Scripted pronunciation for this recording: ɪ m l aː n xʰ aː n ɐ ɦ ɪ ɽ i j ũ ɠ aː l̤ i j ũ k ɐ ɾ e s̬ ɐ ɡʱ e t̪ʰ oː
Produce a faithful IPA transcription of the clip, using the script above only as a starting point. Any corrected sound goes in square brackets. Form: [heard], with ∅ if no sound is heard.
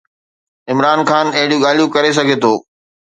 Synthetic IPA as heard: ɪ m [ɾ] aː n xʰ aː n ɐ ɦ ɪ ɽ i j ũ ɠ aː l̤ i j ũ k ɐ ɾ e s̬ ɐ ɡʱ e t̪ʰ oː